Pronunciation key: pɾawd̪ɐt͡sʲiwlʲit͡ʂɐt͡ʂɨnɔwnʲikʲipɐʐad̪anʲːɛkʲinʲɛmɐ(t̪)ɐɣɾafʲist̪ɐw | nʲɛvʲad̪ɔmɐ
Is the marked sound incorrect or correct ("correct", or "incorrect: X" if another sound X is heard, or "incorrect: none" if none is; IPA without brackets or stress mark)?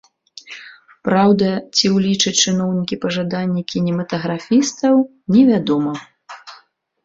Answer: correct